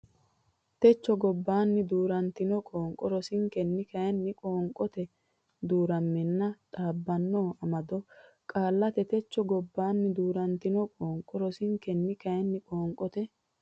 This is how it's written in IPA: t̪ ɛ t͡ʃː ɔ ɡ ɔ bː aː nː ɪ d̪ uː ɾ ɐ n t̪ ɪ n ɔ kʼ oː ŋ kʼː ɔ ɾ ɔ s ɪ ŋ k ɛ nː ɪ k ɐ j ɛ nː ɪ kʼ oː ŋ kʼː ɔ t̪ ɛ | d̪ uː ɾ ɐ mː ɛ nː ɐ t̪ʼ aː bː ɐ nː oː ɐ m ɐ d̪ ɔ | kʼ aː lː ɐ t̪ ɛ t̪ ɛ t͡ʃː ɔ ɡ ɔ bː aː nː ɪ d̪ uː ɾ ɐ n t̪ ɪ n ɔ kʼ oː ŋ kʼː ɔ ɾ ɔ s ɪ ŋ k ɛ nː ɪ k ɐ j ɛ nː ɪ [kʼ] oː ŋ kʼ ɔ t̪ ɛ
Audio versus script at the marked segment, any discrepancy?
no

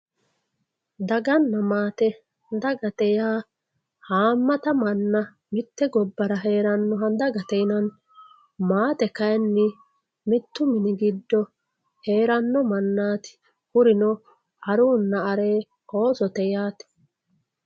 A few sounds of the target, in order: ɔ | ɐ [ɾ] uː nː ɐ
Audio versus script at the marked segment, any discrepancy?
no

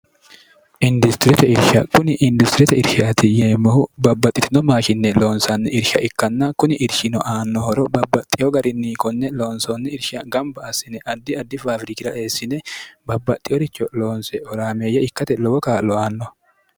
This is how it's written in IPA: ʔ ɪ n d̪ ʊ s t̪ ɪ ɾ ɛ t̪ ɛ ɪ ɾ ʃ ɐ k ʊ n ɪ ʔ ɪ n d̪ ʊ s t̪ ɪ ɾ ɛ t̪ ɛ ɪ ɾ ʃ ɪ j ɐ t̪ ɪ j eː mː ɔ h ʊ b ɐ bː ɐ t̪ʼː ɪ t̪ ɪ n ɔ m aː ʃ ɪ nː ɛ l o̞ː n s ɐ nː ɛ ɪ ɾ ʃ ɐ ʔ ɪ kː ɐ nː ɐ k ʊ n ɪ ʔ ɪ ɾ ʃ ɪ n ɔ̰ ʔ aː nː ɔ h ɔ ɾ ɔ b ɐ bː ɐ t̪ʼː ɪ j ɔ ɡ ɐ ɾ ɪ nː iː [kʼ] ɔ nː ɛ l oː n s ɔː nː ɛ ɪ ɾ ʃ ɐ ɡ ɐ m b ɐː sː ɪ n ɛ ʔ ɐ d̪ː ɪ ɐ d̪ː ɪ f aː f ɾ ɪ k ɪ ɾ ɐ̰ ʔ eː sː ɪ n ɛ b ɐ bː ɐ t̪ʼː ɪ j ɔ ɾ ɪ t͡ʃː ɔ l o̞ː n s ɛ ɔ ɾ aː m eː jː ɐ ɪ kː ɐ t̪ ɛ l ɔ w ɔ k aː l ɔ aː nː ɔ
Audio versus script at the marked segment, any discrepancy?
yes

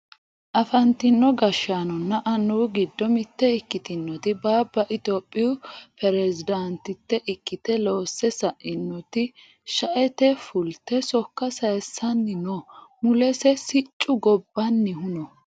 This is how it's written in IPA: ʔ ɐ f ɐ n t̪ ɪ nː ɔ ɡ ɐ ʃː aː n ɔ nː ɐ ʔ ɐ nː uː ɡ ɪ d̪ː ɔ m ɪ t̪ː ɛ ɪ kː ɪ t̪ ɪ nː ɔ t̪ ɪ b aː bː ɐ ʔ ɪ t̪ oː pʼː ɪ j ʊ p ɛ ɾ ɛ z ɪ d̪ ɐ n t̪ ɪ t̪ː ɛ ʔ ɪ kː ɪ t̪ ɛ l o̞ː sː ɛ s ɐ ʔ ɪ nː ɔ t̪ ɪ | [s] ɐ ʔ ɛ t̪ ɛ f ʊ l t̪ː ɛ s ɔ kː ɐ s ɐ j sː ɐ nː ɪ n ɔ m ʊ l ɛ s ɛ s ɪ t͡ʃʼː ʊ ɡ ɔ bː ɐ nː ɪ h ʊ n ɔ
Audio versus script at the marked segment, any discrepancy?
yes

